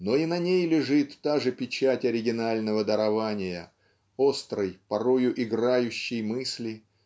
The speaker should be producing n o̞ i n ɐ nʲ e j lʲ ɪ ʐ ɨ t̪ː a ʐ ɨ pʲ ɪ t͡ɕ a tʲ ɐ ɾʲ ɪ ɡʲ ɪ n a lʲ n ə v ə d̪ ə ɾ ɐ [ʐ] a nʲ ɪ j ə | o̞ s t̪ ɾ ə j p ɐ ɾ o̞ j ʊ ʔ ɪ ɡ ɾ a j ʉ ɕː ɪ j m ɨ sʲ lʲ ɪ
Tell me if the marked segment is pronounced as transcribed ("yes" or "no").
no